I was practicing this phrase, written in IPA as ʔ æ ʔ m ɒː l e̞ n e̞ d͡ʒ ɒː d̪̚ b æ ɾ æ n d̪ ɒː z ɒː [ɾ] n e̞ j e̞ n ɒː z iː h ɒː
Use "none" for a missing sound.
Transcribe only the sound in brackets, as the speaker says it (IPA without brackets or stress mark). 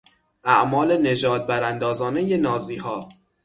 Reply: none